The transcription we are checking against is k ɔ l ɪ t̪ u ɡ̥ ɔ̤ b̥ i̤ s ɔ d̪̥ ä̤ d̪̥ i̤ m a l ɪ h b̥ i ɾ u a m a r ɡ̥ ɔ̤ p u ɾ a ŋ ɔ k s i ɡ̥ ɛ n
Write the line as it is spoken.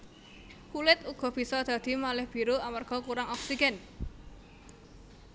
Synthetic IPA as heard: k u l ɪ t̪ u ɡ̥ ɔ̤ b̥ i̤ s ɔ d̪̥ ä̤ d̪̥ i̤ m a l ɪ h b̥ i ɾ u a m a r ɡ̥ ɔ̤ k u ɾ a ŋ ɔ k s i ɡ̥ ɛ n